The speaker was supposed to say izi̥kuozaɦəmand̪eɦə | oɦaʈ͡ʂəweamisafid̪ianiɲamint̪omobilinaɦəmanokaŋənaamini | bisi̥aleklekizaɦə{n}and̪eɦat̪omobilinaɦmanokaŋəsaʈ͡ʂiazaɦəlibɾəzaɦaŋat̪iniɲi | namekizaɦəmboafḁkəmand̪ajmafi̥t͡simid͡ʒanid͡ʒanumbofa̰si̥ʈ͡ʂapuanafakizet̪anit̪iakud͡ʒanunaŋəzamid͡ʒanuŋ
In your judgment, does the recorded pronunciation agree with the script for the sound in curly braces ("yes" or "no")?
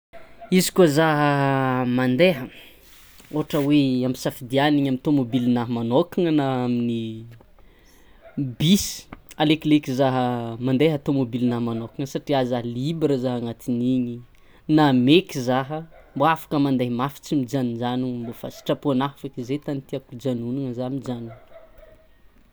no